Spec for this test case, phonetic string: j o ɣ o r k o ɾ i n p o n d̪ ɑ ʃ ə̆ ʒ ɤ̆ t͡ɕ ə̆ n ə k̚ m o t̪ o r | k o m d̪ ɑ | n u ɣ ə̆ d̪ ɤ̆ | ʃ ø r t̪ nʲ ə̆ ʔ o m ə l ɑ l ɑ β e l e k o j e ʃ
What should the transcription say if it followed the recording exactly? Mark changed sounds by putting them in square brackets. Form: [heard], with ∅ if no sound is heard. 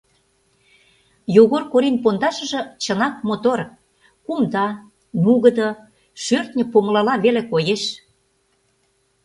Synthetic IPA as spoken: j o ɣ o r k o ɾ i n p o n d̪ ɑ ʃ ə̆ ʒ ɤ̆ t͡ɕ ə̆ n [ɑ] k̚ m o t̪ o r | k [u] m d̪ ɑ | n u ɣ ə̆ d̪ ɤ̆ | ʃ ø r t̪ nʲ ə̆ [p] o m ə l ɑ l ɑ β e l e k o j e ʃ